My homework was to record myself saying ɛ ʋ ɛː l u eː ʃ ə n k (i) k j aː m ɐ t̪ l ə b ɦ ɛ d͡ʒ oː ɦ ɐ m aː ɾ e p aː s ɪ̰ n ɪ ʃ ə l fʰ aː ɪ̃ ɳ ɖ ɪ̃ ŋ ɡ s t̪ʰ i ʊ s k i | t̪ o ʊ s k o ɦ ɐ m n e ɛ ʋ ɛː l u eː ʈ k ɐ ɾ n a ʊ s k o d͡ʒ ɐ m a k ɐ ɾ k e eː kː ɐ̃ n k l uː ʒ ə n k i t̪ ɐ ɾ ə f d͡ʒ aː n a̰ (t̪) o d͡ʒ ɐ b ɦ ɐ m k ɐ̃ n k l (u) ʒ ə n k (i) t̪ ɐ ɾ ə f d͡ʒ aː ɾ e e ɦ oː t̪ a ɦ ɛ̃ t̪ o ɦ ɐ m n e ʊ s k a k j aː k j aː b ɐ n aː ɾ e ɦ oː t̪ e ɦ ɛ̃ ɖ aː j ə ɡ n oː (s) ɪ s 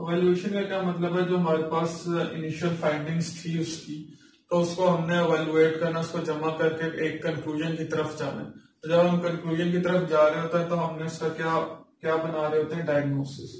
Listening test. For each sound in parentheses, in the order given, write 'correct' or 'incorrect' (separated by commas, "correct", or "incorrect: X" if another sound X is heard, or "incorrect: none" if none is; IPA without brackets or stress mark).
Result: incorrect: a, correct, incorrect: uː, correct, correct